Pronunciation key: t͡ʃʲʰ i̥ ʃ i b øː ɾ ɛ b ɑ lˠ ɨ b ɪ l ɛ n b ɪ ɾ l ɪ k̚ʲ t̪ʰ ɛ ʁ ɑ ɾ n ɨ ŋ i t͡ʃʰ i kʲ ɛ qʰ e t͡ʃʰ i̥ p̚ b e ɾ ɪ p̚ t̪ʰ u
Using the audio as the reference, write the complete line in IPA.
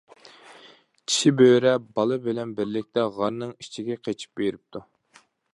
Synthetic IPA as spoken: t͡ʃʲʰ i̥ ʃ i b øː ɾ ɛ b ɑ lˠ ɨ b ɪ l ɛ n b ɪ ɾ l ɪ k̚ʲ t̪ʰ ɛ ʁ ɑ ɾ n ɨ ŋ i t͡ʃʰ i ɡʲ ɛ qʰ e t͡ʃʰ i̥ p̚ b e ɾ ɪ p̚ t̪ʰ u